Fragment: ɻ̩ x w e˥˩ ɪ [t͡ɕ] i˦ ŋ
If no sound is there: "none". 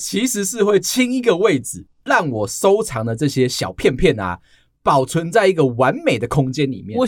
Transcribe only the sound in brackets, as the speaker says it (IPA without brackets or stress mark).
t͡ɕʰ